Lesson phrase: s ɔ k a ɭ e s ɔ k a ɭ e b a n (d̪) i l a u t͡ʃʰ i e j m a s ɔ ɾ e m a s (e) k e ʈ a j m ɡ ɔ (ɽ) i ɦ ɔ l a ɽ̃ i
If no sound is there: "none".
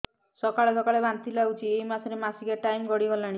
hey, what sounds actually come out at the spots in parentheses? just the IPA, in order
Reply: t̪, i, ɽ

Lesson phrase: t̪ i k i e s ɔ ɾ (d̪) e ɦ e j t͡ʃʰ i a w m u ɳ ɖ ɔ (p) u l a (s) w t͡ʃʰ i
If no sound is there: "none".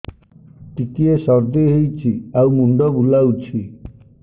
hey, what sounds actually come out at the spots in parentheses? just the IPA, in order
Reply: d̪, b, none

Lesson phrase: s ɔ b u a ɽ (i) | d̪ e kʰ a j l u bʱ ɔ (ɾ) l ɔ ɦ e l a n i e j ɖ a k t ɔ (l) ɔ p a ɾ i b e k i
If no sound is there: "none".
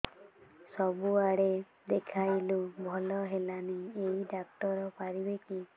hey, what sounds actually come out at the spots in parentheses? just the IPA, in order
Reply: e, none, ɾ

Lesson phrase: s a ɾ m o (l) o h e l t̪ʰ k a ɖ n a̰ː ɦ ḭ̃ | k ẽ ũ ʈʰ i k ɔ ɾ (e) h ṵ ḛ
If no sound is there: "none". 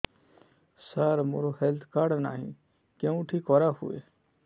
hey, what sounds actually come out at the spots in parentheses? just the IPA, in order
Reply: ɾ, a

